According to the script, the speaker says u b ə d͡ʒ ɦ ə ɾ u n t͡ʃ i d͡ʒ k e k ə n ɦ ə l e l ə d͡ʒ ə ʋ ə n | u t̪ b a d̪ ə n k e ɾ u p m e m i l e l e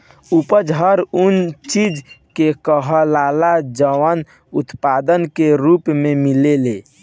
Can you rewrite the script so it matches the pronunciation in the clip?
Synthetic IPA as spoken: u p ə d͡ʒ ɦ ə ɾ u n t͡ʃ i d͡ʒ k e k ə ɦ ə l a l a d͡ʒ ə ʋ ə n | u t̪ p a d̪ ə n k e ɾ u p m e m i l e l e